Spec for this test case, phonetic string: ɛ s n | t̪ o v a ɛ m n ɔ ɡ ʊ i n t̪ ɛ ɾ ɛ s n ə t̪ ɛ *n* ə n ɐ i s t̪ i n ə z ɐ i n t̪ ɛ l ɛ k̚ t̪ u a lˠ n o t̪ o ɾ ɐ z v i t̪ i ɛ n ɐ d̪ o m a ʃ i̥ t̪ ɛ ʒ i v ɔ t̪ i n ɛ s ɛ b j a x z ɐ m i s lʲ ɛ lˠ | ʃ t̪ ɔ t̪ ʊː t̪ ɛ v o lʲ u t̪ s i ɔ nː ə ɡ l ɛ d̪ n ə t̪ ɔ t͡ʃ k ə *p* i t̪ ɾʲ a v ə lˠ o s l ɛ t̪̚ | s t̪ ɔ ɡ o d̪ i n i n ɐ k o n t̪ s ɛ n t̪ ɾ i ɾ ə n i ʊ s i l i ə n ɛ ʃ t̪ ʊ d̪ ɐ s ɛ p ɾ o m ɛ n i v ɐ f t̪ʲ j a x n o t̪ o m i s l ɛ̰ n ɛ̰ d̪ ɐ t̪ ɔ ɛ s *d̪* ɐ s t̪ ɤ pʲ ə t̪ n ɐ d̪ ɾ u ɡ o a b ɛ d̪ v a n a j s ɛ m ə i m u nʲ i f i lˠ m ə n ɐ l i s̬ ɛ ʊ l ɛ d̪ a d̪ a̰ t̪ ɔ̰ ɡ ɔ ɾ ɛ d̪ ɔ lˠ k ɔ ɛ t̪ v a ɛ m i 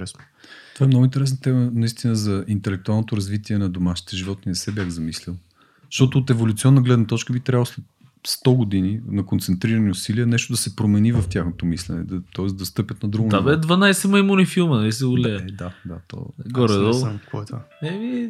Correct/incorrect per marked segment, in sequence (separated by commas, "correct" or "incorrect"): incorrect, incorrect, correct